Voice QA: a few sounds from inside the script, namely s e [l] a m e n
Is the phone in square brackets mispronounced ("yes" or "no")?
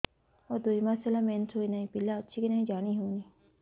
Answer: no